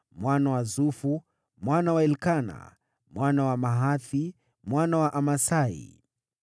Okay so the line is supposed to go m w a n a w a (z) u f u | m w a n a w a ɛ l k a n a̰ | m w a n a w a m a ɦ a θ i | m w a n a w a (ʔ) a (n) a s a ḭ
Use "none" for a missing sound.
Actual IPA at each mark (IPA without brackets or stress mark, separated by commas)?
z, ʔ, m